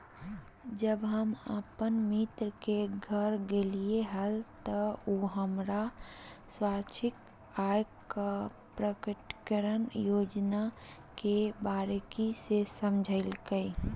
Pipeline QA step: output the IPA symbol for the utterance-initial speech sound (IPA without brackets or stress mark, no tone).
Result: d͡ʒ